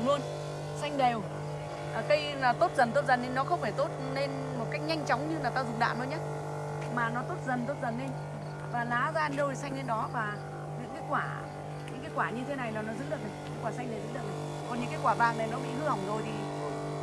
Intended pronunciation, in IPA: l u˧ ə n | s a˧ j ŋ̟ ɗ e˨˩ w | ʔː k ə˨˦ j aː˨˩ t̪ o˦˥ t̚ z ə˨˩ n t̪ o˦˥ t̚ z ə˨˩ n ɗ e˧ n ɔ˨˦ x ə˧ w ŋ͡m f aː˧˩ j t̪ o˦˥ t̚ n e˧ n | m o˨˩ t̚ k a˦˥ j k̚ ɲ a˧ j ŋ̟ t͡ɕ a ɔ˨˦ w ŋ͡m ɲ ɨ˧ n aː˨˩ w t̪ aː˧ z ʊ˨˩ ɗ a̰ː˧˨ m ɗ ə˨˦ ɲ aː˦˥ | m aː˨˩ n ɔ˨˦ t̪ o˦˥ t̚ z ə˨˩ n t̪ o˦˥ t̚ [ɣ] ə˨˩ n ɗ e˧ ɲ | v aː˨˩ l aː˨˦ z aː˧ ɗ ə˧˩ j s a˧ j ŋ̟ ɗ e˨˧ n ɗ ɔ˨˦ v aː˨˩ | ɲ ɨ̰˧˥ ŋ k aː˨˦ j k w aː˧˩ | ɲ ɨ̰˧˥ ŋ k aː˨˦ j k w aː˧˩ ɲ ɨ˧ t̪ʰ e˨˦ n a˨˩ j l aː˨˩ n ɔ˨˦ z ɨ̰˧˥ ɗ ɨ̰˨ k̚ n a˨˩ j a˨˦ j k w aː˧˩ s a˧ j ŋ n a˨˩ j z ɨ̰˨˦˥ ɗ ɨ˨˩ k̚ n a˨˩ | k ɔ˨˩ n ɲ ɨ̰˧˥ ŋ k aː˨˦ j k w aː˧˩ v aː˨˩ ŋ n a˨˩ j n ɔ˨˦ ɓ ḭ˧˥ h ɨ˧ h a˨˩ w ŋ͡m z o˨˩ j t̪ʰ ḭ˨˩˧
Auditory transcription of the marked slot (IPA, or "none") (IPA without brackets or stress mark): z